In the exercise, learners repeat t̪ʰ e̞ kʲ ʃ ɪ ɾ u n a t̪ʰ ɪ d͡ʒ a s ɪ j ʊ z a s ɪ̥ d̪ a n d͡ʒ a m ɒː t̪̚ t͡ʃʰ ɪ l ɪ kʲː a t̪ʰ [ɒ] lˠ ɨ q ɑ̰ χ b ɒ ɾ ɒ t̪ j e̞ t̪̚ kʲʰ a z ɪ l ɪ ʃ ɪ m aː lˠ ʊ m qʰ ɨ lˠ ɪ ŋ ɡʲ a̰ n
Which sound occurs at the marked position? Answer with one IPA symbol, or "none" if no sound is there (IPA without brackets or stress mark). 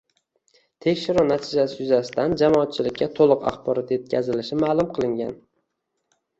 o